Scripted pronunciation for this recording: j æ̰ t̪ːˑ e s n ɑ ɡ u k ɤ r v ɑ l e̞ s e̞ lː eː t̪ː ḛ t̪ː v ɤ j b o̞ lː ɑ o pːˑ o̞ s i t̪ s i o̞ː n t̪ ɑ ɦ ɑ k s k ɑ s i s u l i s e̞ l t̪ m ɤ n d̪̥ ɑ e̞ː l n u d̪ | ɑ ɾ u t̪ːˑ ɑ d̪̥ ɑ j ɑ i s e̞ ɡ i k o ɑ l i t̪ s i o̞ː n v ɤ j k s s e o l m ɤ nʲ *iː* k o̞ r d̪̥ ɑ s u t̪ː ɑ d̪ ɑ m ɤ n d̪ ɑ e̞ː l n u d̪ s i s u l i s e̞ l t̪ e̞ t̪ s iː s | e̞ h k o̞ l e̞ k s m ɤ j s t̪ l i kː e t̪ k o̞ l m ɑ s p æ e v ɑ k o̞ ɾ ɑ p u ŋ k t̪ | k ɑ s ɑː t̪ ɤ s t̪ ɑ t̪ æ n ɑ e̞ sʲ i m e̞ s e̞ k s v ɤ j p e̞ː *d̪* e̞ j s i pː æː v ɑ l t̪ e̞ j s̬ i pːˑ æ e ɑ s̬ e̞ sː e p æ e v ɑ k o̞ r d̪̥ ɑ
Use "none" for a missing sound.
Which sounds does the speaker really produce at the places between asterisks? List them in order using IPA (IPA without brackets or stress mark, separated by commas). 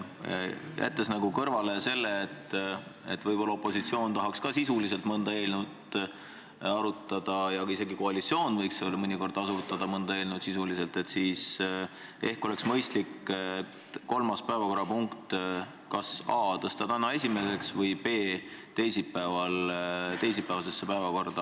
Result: i, t̪